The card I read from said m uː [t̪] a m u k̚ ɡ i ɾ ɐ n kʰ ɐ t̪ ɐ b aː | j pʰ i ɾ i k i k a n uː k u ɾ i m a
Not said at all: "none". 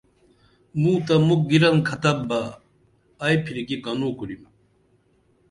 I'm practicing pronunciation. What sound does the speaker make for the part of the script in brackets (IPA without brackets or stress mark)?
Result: t̪